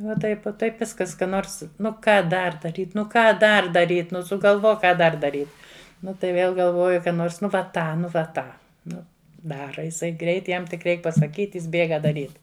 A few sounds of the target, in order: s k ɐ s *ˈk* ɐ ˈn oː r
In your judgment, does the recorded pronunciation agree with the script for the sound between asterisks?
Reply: yes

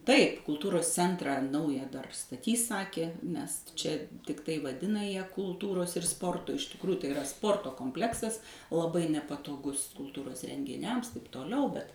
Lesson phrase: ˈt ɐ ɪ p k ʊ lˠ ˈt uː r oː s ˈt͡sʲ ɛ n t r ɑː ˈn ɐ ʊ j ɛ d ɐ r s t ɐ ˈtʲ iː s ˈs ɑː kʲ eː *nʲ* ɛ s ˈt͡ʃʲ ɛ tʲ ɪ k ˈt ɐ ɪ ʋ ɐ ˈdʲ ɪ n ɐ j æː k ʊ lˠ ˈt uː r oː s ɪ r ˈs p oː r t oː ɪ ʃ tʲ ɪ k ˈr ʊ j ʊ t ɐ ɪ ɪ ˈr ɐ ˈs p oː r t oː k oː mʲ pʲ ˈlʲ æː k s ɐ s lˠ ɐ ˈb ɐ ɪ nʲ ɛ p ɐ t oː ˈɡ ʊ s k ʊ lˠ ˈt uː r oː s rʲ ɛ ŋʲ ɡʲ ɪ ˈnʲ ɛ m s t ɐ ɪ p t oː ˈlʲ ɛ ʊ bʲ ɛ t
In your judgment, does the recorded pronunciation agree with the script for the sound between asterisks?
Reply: yes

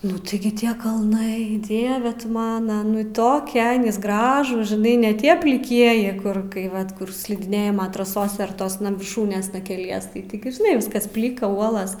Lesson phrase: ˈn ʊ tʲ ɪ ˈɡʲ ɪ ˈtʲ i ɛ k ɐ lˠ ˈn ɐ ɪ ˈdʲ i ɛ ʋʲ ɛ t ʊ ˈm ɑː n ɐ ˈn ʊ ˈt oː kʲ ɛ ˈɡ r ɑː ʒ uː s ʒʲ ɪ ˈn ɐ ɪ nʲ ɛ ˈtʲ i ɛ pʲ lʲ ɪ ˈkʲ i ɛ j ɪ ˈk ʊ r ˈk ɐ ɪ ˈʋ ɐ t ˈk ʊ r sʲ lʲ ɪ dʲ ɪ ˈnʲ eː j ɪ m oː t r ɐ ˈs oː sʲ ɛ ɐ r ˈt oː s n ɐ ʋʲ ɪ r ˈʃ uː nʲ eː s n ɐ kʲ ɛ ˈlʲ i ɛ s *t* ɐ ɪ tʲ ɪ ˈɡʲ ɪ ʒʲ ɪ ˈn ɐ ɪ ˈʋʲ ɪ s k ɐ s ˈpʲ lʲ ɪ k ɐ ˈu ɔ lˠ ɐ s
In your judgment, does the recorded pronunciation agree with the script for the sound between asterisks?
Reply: yes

